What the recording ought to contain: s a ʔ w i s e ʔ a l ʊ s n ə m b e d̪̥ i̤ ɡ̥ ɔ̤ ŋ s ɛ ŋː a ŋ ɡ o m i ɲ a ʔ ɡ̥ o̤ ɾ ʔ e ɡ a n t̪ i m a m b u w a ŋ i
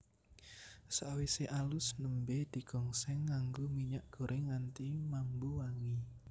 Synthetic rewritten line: s a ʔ w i s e ʔ a l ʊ s n ə m b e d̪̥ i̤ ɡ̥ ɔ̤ ŋ s ɛ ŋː a ŋ ɡ o m i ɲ a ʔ ɡ̥ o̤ ɾ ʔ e ŋ a n t̪ i m a m b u w a ŋ i